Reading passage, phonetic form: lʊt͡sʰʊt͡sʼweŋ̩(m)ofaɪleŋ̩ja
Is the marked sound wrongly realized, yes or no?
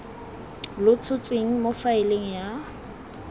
no